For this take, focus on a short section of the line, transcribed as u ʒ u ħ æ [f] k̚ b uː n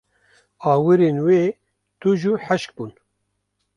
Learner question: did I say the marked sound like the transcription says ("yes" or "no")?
no